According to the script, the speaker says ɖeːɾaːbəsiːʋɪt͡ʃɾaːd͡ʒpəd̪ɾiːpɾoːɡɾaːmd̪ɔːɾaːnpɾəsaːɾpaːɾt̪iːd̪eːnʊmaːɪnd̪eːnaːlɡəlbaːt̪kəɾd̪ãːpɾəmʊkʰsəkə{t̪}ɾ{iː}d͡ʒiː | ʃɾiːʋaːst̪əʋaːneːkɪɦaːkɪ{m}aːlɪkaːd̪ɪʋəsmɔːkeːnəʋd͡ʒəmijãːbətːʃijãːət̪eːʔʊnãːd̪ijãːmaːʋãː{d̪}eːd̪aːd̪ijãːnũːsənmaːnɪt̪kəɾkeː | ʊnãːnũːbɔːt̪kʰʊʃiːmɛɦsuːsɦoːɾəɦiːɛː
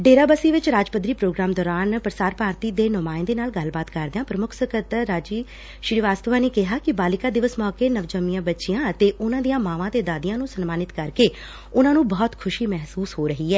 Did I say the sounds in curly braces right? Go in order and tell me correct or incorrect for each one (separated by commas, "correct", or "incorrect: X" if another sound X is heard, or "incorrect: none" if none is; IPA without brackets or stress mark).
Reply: correct, incorrect: aː, incorrect: b, incorrect: t̪